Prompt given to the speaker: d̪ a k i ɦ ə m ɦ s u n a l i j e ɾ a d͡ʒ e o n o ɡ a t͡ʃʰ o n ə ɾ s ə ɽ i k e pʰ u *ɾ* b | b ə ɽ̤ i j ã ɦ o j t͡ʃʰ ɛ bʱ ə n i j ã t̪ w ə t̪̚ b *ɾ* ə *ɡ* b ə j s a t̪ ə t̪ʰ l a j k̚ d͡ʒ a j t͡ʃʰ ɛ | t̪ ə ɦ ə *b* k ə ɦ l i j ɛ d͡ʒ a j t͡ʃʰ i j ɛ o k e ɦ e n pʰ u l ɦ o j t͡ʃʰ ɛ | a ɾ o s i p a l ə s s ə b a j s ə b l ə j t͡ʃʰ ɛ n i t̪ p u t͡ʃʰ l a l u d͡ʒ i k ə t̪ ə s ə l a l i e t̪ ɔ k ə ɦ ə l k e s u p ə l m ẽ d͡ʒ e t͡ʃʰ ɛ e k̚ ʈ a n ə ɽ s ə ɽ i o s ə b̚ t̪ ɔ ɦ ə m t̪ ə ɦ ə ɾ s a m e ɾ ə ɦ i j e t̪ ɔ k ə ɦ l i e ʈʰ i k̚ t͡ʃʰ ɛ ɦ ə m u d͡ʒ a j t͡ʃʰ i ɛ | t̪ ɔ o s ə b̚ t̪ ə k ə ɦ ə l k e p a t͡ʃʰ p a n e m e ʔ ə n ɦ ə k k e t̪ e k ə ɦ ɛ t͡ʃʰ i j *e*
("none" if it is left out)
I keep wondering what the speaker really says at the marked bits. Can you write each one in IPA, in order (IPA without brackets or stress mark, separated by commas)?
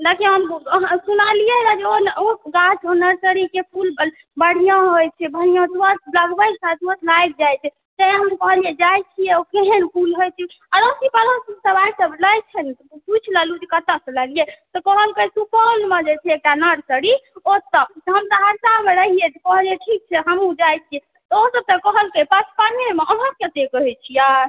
l, l, ɡ, m, a